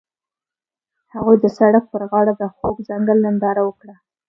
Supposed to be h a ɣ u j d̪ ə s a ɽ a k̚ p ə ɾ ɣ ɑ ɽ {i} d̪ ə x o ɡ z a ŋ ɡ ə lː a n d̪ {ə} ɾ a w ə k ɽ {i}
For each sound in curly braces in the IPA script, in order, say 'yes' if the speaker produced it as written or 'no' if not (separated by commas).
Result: no, no, no